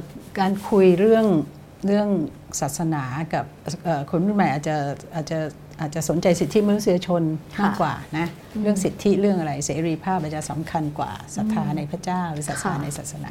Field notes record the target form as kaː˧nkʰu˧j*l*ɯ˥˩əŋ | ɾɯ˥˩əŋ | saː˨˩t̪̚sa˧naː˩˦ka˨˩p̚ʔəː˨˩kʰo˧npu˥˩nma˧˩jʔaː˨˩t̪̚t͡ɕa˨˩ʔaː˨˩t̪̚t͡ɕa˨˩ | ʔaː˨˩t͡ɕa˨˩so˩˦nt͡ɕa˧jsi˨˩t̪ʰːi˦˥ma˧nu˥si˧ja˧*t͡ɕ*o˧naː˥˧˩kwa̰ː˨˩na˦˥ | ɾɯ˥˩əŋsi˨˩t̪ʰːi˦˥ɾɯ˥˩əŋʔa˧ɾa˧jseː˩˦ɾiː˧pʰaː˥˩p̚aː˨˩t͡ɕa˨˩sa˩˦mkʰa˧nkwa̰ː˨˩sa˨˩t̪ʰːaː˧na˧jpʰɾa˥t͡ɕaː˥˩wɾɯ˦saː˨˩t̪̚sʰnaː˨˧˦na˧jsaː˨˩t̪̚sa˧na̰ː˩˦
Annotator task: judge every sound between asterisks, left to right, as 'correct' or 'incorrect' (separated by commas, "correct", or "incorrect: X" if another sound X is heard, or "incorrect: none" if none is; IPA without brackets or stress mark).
incorrect: ɾ, incorrect: t͡ɕʰ